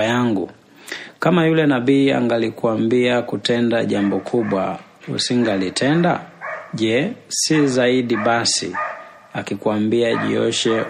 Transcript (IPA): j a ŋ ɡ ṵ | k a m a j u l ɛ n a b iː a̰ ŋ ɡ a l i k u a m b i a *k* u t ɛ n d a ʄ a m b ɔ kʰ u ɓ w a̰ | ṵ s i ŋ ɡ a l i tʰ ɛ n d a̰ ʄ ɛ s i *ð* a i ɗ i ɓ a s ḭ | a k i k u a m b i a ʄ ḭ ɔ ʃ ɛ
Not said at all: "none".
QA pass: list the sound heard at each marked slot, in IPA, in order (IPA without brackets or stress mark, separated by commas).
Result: k, z